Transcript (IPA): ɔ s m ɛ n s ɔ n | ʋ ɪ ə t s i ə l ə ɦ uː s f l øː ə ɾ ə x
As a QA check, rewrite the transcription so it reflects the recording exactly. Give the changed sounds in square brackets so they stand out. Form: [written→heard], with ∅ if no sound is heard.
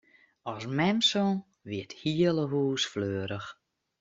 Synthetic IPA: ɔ s m ɛ [n→m] s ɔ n | ʋ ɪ ə t [s→h] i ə l ə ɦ uː s f l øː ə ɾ ə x